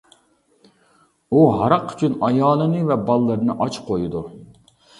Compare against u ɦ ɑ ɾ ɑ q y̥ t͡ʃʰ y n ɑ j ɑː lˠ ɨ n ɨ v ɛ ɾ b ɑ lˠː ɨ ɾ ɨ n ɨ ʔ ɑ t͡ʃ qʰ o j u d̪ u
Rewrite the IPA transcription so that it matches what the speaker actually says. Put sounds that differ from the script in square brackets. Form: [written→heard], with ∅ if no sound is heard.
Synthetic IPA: u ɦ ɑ ɾ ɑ q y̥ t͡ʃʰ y n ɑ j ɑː lˠ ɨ n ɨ v ɛ [ɾ→∅] b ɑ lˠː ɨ ɾ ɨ n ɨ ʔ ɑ t͡ʃ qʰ o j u d̪ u